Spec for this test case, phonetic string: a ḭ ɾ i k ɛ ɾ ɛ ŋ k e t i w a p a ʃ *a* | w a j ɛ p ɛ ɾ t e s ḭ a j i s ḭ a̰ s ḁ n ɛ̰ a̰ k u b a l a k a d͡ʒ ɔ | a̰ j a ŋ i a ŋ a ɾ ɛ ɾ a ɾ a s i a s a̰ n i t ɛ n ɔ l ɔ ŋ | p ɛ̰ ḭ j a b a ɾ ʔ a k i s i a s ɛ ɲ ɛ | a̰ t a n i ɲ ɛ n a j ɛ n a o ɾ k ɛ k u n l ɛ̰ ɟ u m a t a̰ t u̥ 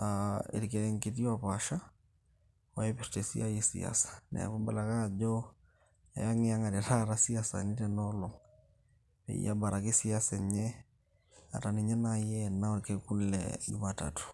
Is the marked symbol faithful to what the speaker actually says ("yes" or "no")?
yes